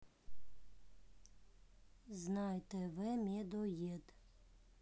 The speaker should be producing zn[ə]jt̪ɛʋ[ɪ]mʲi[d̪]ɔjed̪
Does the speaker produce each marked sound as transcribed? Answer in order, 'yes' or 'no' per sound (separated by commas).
no, yes, yes